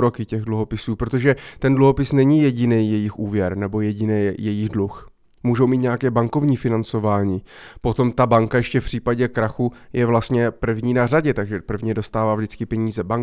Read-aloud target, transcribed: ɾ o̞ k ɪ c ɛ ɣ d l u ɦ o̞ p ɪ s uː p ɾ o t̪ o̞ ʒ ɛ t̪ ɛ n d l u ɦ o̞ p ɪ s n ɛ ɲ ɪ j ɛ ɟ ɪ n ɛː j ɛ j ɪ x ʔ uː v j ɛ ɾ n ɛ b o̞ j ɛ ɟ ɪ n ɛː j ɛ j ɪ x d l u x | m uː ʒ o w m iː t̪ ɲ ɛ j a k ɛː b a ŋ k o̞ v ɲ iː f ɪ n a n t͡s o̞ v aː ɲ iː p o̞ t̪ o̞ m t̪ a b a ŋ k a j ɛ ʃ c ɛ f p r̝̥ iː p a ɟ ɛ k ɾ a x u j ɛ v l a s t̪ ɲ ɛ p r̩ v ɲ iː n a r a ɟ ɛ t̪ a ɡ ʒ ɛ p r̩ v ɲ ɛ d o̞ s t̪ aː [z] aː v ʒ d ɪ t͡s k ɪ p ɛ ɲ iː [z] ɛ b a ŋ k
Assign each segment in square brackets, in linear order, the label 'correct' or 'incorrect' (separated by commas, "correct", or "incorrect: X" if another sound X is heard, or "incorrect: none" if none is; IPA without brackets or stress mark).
incorrect: v, correct